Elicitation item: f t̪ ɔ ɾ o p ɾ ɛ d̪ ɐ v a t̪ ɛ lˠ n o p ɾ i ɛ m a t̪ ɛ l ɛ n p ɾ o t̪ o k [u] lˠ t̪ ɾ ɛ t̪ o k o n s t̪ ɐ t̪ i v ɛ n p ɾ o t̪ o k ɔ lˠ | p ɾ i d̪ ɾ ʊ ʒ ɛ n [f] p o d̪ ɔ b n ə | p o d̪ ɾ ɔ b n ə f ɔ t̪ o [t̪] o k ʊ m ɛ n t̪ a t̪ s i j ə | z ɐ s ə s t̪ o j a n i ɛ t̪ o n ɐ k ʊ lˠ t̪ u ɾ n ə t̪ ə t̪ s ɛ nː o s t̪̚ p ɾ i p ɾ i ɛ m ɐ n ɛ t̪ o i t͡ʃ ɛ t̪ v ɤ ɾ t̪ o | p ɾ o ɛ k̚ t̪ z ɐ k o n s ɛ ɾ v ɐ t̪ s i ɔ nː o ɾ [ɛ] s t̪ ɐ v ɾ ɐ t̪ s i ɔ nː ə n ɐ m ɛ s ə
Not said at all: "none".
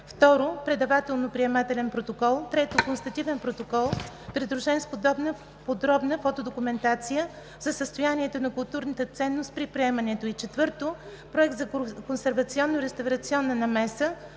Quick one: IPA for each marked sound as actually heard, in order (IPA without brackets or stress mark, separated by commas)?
ɔ, s, d̪, ɛ